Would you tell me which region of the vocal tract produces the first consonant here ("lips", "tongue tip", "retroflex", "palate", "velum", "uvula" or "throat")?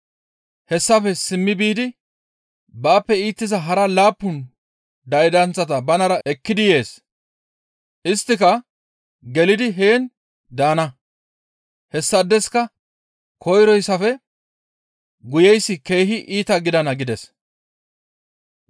throat